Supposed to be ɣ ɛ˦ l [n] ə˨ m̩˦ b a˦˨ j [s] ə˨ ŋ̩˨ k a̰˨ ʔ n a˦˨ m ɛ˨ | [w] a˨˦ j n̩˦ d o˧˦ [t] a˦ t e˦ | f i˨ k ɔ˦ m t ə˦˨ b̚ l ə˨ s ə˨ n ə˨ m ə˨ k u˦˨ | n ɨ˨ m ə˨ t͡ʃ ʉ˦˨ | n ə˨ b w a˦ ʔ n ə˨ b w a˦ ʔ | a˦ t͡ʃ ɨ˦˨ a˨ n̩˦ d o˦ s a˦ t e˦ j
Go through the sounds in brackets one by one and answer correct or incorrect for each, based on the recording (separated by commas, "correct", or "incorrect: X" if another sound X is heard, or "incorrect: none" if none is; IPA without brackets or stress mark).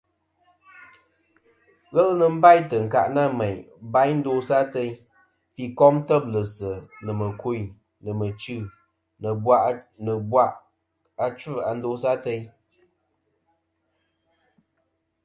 correct, incorrect: t, incorrect: b, incorrect: s